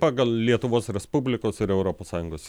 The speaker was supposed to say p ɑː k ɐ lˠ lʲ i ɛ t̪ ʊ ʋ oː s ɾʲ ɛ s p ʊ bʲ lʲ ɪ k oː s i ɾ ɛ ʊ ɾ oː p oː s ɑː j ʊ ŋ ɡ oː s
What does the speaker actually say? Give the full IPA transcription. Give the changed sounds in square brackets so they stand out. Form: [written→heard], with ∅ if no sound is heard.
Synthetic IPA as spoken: p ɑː [k→ɡ] ɐ lˠ lʲ i ɛ t̪ ʊ ʋ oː s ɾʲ ɛ s p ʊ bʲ lʲ ɪ k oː s [i→ɪ] ɾ ɛ ʊ ɾ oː p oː s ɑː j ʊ ŋ ɡ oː s

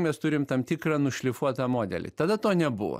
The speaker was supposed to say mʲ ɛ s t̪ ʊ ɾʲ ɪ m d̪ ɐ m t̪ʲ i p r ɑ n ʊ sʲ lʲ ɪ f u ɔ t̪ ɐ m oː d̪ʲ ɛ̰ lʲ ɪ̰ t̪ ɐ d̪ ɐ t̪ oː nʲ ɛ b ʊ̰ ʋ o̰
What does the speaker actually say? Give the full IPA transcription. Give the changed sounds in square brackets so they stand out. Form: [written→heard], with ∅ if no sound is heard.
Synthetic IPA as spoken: mʲ ɛ s t̪ ʊ ɾʲ ɪ m [d̪→t̪] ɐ m t̪ʲ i [p→k] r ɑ n ʊ [sʲ→ʃʲ] lʲ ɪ f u ɔ t̪ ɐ m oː d̪ʲ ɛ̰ lʲ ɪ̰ t̪ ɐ d̪ ɐ t̪ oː nʲ ɛ b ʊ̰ ʋ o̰

